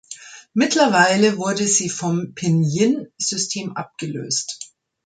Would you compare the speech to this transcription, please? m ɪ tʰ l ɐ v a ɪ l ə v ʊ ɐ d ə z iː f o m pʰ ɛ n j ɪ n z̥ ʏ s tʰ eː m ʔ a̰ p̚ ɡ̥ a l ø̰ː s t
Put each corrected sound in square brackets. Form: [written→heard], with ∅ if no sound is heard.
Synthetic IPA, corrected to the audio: m ɪ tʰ l ɐ v a ɪ l ə v ʊ ɐ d ə z iː f [o→ɔ] m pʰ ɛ n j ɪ n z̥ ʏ s tʰ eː m ʔ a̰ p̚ ɡ̥ [a→ə] l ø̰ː s t